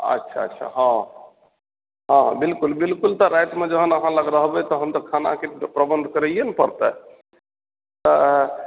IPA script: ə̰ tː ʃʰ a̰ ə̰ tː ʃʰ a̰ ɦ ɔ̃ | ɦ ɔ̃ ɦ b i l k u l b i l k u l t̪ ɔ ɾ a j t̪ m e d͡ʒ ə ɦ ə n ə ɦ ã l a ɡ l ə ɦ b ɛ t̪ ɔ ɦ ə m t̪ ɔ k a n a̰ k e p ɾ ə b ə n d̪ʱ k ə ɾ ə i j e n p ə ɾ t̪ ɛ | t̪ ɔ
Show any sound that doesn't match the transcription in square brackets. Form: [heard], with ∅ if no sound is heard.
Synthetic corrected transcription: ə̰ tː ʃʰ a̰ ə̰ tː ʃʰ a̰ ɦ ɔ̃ | ɦ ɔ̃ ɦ b i l k u l b i l k u l t̪ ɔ ɾ a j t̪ m e d͡ʒ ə ɦ ə n ə ɦ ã l [ə] ɡ [ɾ] ə ɦ b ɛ t̪ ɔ ɦ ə m t̪ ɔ [kʰ] a n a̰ k e p ɾ ə b ə n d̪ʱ k ə ɾ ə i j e n p ə ɾ t̪ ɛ | t̪ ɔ